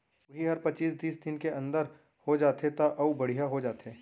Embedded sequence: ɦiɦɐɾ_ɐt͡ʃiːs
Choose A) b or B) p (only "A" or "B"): B